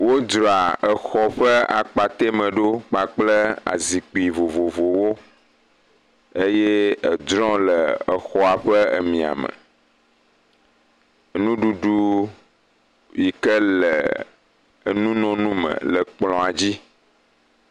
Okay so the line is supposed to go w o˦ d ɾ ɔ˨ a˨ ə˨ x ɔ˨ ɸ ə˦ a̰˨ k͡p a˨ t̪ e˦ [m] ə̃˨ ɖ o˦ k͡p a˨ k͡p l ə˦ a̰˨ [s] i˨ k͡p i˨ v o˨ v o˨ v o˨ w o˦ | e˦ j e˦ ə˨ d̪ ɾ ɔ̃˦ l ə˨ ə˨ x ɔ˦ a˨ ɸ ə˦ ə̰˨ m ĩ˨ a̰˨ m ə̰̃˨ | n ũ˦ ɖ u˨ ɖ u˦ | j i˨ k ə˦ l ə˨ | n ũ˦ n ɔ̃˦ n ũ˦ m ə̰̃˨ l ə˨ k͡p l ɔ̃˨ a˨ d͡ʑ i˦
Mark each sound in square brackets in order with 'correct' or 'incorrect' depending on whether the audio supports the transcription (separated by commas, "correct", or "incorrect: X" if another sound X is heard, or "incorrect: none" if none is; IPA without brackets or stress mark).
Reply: correct, incorrect: z